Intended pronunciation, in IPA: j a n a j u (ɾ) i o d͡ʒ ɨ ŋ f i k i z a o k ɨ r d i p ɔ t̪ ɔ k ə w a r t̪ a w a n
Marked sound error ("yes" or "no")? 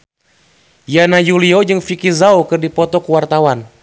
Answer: yes